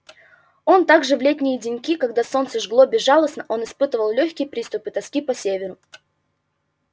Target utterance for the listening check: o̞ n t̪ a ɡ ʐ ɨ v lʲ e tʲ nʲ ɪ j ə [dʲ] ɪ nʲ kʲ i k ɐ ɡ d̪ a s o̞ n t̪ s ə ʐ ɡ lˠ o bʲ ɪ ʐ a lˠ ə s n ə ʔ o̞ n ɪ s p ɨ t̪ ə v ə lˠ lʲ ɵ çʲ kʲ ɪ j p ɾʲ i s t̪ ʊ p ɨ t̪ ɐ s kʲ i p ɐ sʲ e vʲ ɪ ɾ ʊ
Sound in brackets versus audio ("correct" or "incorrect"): correct